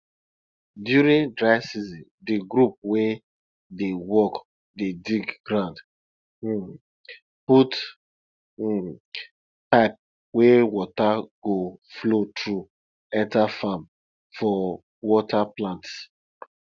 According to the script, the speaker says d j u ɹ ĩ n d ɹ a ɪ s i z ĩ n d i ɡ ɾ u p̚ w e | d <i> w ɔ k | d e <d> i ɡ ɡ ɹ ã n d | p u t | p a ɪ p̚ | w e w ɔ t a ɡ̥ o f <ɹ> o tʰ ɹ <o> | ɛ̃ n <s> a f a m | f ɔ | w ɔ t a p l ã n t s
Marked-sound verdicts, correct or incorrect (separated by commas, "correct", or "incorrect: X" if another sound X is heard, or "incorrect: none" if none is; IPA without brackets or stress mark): incorrect: e, correct, incorrect: l, incorrect: u, incorrect: t